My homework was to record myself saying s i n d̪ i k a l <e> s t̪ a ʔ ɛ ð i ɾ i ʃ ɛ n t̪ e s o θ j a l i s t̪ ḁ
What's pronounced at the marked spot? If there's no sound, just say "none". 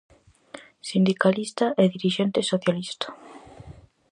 i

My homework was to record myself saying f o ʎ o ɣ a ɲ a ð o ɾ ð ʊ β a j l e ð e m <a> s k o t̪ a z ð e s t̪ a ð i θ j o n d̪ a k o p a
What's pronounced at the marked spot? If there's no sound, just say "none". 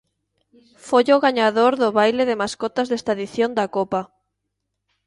a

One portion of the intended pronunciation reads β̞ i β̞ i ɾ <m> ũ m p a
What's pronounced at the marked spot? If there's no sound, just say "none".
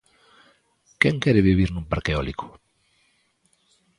n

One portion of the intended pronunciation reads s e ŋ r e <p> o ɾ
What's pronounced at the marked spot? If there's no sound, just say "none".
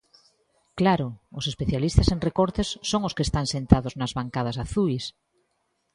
k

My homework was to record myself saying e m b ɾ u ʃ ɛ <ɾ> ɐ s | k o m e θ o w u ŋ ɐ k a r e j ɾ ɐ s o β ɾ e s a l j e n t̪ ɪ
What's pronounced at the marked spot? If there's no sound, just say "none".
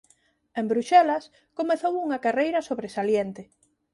l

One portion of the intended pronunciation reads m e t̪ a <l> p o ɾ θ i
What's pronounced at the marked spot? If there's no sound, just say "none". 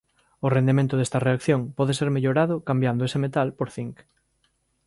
l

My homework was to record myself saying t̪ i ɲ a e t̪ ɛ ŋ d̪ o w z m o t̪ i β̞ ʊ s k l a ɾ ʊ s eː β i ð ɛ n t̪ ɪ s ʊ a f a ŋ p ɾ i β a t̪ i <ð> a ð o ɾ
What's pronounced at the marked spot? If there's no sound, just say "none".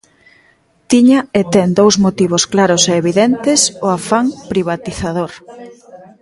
θ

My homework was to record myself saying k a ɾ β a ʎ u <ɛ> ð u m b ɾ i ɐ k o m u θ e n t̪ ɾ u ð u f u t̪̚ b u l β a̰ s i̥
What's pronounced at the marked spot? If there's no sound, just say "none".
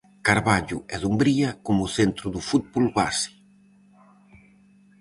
ɛ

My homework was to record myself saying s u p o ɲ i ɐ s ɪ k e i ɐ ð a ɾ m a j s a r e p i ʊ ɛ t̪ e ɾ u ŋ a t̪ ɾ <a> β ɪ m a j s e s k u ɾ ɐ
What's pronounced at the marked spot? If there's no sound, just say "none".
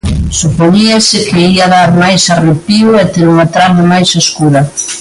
a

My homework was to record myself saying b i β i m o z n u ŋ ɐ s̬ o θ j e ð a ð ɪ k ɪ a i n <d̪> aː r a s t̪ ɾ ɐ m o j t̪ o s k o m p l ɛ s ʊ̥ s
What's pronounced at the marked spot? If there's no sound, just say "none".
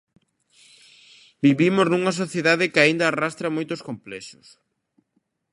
d̪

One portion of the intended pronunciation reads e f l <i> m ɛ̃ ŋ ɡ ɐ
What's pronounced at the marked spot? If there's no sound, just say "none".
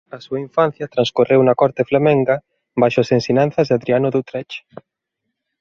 a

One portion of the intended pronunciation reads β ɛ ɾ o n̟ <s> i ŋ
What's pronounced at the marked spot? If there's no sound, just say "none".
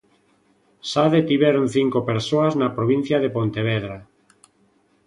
θ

